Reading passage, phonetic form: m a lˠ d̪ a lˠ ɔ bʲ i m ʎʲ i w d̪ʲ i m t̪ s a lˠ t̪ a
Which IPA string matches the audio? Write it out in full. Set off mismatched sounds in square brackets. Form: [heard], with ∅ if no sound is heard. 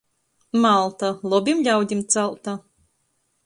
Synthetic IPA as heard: m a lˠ [t̪] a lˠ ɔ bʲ i m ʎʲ [a] w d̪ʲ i m t̪ s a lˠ t̪ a